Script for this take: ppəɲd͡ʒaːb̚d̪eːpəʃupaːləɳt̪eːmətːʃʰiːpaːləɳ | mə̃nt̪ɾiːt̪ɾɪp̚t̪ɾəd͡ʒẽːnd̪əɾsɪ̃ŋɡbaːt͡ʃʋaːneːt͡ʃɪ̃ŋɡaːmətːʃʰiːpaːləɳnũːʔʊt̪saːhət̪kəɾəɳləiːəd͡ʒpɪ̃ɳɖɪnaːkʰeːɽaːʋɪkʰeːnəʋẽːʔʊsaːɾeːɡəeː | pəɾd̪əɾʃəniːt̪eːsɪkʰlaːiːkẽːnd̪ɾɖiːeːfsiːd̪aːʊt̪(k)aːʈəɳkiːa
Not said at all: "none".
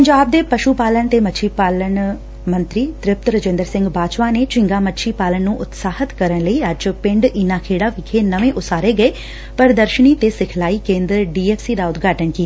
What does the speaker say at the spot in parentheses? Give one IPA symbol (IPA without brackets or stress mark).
ɡ